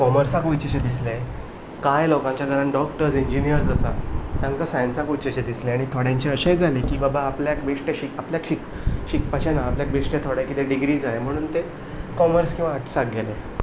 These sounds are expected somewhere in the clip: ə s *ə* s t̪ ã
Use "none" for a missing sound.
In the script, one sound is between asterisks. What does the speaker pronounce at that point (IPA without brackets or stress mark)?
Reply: a